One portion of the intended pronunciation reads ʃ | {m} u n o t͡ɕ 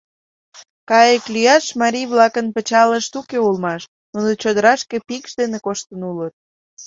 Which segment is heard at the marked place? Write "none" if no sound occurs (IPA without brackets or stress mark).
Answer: n